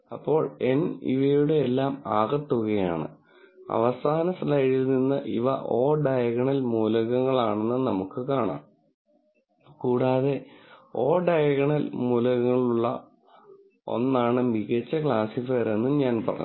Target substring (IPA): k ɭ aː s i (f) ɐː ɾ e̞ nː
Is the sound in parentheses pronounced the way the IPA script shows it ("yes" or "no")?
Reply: yes